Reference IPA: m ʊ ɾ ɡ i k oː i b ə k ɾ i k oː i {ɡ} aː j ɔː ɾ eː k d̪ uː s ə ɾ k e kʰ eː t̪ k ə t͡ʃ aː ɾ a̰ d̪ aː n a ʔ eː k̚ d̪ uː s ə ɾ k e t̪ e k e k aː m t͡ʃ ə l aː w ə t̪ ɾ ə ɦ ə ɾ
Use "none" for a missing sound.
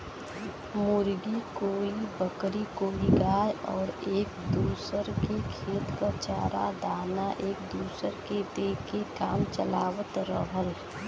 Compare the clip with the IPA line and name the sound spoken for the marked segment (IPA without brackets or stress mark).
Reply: ɡ